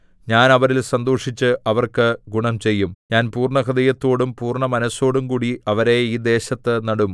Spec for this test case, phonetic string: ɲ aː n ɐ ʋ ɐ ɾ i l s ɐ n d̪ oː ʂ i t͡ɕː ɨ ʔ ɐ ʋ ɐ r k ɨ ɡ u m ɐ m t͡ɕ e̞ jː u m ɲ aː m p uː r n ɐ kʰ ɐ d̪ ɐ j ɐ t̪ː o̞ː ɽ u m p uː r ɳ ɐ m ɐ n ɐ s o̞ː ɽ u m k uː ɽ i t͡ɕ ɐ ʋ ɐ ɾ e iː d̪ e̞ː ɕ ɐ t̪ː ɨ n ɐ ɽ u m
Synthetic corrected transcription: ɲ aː n ɐ ʋ ɐ ɾ i l s ɐ n d̪ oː ʂ i t͡ɕː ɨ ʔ ɐ ʋ ɐ r k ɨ ɡ u ɳ ɐ m t͡ɕ e̞ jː u m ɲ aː n p uː r ɳ ɐ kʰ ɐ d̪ ɐ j ɐ t̪ː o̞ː ɽ u m p uː r ɳ ɐ m ɐ n ɐ s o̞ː ɽ u m k uː ɽ i ɐ ʋ ɐ ɾ e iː d̪ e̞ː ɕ ɐ t̪ː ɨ n ɐ ɽ u m